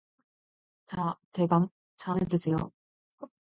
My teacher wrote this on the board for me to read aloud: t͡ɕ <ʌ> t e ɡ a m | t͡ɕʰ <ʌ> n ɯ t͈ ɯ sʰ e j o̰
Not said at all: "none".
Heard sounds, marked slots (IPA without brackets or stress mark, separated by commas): a, a